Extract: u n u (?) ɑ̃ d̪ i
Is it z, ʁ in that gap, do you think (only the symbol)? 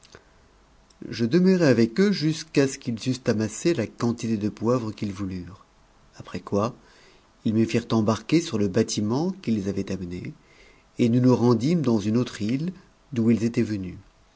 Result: ʁ